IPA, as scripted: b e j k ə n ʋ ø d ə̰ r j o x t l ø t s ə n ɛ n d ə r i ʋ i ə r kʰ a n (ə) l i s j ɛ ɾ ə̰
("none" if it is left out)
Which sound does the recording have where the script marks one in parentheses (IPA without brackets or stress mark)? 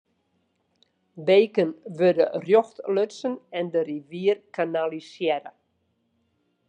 a